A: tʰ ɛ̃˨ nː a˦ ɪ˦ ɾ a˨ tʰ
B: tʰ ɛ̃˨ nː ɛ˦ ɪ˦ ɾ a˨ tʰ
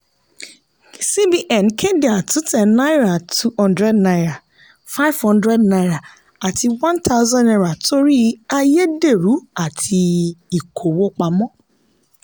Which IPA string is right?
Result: A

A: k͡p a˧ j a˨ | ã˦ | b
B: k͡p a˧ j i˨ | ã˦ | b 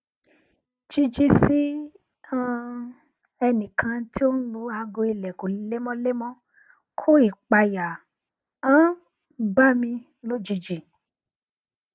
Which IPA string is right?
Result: A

